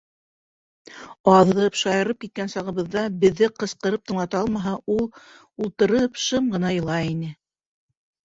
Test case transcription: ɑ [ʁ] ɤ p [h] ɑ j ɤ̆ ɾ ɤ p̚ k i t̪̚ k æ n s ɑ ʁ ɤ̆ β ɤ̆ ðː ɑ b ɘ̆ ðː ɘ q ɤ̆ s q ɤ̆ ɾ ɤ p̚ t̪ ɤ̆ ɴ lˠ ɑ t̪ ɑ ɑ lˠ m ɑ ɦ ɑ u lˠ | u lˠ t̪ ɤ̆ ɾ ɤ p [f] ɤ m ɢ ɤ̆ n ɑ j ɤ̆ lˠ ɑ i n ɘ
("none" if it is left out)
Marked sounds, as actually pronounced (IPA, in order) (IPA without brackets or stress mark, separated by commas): ð, ʃ, ʃ